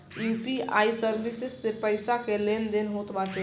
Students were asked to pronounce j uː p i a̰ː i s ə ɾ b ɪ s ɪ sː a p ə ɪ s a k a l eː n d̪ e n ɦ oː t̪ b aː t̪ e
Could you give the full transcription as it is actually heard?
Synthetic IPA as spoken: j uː p i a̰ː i s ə ɾ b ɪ s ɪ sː e p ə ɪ s a k e l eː n d̪ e n ɦ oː t̪ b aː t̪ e